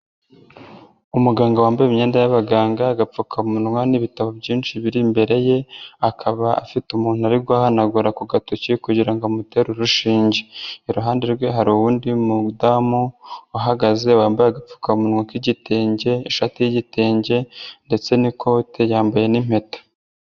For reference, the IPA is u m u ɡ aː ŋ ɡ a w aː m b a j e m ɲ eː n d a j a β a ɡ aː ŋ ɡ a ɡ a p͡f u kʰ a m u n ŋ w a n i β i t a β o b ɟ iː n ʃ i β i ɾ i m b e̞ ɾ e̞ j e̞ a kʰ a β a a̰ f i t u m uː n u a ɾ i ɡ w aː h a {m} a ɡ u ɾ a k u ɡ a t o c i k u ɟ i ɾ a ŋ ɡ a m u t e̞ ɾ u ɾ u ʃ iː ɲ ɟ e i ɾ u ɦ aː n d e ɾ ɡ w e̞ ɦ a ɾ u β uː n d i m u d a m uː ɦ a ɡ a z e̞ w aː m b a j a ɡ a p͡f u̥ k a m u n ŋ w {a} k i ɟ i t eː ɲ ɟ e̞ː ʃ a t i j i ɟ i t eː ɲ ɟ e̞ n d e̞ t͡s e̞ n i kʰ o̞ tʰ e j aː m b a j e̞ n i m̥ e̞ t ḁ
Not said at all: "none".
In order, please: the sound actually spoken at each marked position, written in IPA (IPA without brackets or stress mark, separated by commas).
n, a